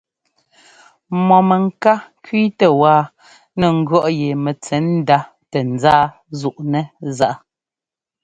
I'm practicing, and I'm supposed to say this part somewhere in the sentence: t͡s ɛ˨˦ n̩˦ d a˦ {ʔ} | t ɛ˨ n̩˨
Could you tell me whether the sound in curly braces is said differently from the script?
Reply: yes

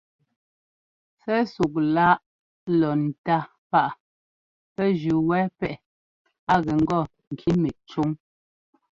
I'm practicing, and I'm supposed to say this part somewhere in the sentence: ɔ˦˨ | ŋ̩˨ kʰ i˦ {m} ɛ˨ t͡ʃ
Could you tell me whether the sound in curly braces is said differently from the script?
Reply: no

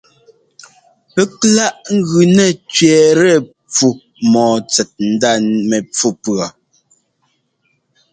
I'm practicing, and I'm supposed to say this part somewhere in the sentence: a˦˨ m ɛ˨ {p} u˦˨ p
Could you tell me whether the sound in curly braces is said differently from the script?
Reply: yes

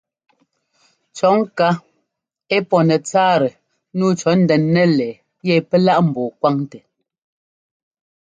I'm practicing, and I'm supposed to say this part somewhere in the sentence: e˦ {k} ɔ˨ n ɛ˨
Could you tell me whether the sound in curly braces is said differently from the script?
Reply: yes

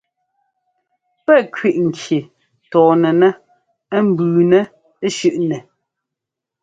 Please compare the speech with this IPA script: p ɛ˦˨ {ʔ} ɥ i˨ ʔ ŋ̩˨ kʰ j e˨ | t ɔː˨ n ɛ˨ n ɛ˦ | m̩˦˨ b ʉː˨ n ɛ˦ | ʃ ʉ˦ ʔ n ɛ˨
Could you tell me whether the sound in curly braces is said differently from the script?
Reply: yes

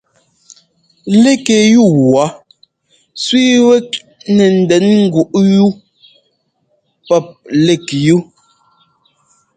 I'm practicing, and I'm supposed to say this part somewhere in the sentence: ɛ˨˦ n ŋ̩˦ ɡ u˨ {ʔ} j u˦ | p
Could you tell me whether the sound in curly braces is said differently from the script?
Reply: no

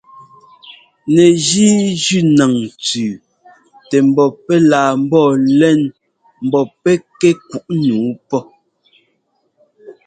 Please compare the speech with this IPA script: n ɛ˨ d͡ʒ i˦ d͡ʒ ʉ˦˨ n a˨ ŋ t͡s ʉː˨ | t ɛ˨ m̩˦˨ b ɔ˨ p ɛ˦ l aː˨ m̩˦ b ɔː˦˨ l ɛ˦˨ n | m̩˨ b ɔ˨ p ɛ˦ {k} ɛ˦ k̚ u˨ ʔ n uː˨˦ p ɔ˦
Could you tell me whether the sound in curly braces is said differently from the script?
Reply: no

